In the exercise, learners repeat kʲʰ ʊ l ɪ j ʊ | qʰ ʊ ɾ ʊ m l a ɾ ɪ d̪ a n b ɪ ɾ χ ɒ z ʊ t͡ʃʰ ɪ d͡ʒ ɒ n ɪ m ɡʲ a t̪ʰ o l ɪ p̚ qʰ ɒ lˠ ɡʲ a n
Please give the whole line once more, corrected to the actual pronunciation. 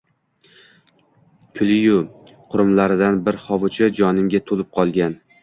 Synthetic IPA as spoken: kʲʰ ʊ l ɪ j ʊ | qʰ ʊ ɾ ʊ m l a ɾ ɪ d̪ a n b ɪ ɾ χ ɒ v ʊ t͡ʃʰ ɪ d͡ʒ ɒ n ɪ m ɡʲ a t̪ʰ o l ɪ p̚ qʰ ɒ lˠ ɡʲ a n